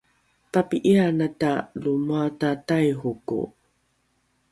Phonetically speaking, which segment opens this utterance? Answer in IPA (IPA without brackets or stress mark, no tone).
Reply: p